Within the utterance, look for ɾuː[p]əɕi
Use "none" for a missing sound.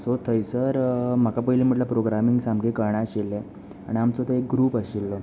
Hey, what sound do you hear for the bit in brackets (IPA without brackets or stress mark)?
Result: p